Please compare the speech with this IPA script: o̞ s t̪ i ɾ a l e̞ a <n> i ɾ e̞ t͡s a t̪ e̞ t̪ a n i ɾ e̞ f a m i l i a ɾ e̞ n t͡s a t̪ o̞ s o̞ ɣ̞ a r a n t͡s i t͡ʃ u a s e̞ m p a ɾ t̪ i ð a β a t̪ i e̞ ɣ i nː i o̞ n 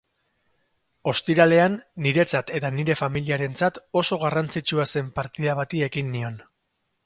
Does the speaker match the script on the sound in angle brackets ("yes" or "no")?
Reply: no